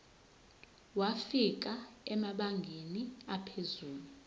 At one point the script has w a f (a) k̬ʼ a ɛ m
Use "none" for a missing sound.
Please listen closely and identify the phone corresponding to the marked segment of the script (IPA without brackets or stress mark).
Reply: i